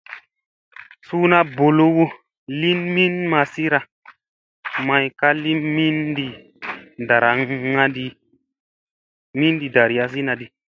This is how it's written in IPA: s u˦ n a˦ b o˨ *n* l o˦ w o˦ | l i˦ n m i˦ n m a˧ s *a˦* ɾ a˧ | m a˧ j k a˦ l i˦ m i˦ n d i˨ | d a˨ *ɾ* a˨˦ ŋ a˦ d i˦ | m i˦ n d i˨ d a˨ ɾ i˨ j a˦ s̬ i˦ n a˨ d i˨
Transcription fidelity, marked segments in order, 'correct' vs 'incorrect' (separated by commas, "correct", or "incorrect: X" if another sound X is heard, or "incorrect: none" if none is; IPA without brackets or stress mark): incorrect: none, incorrect: i˦, correct